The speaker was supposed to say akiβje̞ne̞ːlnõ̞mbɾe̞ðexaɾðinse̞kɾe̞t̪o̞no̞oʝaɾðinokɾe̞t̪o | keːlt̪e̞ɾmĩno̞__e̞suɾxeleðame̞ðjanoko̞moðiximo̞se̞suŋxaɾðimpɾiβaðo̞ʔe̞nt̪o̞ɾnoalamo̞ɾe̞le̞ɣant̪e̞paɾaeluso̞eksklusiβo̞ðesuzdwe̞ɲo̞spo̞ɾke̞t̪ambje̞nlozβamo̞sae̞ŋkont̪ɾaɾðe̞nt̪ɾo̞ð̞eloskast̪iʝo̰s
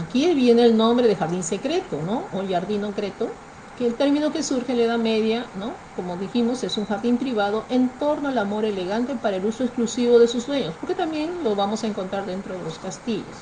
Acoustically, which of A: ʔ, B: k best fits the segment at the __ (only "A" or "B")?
B